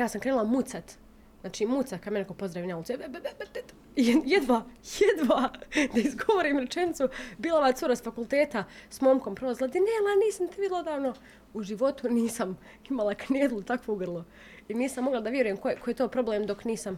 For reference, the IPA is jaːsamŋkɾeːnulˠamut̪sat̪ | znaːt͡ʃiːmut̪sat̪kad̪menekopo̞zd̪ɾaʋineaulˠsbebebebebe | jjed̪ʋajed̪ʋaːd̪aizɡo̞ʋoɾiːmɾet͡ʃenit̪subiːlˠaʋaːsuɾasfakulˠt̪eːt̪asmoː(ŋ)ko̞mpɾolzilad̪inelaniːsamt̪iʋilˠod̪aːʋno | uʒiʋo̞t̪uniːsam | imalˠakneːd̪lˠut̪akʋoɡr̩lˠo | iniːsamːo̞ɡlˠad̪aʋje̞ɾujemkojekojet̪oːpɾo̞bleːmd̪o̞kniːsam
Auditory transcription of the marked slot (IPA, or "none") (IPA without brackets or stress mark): m